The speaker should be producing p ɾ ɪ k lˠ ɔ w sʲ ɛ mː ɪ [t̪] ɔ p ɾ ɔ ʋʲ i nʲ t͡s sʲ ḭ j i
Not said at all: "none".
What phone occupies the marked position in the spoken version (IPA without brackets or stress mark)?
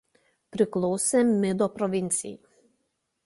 d̪